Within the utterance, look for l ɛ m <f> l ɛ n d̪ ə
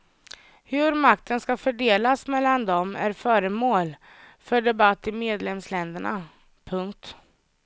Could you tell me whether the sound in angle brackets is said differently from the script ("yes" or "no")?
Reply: yes